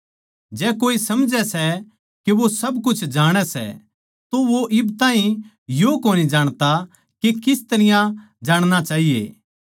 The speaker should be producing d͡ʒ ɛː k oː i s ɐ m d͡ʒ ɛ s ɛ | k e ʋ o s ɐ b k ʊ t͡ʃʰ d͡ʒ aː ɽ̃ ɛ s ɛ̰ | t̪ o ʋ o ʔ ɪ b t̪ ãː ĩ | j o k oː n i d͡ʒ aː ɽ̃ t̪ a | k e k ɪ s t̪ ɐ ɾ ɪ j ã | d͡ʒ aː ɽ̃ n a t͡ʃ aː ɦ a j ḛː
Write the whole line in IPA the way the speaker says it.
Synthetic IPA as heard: d͡ʒ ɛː k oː i s ɐ m d͡ʒ ɛ s ɛ | k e ʋ o s ɐ b k ʊ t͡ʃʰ d͡ʒ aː ɽ̃ ɛ s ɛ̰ | t̪ o ʋ o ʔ ɪ b t̪ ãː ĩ | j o k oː n i d͡ʒ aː ɽ̃ t̪ a | k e k ɪ s t̪ ɐ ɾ ɪ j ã | d͡ʒ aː ɽ̃ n a t͡ʃ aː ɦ i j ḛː